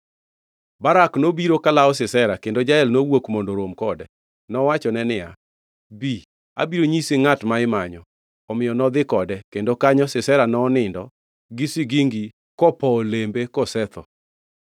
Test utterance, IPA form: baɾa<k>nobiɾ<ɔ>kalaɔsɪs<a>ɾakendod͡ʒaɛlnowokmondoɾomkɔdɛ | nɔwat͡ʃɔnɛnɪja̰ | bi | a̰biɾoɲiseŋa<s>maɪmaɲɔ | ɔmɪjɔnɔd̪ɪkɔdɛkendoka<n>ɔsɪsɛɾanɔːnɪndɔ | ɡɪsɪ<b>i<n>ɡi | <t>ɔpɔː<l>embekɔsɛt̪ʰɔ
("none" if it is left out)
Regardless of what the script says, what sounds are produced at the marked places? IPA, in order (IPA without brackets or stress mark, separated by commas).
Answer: k, o, ɛ, t, ɲ, ɡ, ŋ, k, l